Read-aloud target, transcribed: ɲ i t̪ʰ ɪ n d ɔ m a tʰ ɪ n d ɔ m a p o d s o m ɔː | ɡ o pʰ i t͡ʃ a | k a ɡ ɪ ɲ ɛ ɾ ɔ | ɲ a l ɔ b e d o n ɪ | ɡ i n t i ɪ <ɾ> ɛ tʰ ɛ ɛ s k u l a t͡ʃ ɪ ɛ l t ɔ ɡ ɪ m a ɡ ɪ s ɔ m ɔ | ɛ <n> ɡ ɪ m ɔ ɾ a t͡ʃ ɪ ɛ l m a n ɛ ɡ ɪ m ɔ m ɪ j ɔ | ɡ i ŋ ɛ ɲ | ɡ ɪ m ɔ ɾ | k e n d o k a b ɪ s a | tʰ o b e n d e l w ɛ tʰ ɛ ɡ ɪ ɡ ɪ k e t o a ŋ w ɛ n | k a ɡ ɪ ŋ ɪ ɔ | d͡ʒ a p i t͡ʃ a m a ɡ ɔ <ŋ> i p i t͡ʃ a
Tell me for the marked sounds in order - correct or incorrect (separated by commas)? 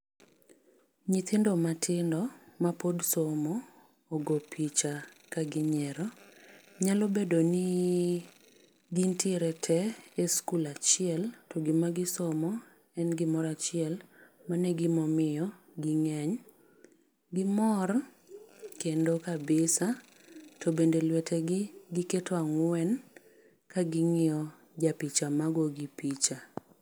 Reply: correct, correct, incorrect